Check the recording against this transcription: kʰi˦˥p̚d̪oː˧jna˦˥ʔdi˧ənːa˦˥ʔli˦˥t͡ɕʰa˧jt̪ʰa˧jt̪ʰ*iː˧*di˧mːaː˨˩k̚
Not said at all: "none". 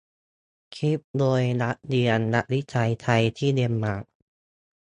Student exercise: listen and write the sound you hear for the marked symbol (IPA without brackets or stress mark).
iː˥˩